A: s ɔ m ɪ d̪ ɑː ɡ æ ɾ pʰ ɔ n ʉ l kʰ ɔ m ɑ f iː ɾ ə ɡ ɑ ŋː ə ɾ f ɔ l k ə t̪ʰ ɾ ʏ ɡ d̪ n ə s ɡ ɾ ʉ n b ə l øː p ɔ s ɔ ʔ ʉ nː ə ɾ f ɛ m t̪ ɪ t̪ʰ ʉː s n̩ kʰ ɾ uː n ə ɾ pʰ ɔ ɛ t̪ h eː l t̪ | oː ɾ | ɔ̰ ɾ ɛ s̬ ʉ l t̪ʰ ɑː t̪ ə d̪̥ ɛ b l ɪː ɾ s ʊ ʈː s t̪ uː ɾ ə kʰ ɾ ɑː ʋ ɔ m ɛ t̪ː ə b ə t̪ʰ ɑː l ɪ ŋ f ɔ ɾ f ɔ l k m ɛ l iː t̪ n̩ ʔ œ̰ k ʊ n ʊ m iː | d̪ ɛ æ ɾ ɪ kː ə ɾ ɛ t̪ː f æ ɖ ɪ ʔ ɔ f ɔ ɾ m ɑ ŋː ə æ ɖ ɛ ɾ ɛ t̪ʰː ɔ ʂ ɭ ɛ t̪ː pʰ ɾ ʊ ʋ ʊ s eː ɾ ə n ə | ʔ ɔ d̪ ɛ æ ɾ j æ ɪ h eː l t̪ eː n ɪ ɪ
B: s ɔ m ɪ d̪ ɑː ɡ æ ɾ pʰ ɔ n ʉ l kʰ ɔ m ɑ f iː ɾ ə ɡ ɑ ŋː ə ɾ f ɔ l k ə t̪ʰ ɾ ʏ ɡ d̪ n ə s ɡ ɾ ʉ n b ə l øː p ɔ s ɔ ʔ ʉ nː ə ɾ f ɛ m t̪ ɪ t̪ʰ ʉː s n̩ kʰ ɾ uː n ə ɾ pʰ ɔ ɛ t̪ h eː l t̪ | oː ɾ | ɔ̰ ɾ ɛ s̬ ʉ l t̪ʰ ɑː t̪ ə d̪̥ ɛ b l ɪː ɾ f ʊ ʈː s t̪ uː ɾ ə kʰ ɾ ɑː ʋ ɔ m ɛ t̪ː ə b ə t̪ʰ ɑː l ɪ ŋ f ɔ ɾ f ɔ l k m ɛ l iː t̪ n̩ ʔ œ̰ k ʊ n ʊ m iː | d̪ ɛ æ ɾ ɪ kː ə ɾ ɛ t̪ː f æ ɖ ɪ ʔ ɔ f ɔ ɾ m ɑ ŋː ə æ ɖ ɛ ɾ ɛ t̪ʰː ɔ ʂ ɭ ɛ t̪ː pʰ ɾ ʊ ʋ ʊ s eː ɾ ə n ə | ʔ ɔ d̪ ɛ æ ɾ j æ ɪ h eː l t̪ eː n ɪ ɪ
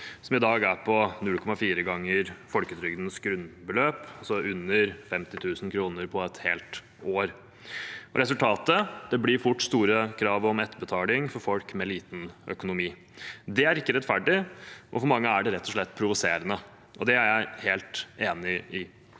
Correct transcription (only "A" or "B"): B